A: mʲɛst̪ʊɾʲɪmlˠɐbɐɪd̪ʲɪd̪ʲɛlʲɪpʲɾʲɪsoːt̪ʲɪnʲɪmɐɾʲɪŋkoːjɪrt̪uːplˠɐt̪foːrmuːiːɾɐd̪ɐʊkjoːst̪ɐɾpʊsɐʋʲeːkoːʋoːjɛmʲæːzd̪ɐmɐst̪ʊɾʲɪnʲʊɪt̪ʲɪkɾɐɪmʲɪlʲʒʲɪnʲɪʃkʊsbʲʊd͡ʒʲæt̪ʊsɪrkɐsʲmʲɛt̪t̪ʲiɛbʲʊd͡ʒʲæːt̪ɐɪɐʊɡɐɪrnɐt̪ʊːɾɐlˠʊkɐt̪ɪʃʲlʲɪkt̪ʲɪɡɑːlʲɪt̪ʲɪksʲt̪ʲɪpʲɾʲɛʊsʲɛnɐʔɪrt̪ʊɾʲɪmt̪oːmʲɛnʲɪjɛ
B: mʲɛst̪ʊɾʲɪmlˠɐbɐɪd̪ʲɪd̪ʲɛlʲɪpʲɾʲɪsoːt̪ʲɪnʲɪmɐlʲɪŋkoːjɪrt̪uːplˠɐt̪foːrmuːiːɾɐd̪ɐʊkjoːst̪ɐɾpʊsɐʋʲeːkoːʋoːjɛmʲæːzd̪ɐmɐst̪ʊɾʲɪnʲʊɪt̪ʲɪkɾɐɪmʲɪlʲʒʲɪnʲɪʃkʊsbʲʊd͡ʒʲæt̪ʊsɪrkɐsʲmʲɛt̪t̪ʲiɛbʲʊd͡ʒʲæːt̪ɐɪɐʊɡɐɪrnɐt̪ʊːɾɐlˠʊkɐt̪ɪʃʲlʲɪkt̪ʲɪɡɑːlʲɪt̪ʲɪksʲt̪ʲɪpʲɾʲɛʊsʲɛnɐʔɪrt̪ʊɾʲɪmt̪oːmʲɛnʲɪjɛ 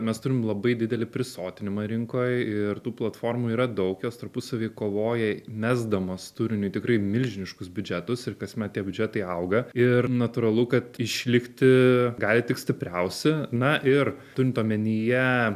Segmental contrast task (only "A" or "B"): A